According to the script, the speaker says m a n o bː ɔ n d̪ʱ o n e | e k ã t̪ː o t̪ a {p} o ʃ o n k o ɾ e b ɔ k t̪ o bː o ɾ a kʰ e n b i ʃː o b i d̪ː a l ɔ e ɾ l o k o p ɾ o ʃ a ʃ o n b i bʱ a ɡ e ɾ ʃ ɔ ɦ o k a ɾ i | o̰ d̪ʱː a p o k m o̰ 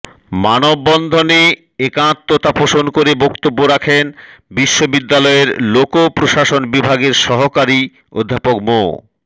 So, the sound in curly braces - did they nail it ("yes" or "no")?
yes